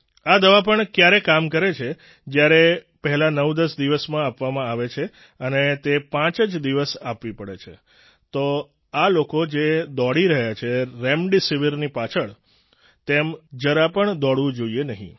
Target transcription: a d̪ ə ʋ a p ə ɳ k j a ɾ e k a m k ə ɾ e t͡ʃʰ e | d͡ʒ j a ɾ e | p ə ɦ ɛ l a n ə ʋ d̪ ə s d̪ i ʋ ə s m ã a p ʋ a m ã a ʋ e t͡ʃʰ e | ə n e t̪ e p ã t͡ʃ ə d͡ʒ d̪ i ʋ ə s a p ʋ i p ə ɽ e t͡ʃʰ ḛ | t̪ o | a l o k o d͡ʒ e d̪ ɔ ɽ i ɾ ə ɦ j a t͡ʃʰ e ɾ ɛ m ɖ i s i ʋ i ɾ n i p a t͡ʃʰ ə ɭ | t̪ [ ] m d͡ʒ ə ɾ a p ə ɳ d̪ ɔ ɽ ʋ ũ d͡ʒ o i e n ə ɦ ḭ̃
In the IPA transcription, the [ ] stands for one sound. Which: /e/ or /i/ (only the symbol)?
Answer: e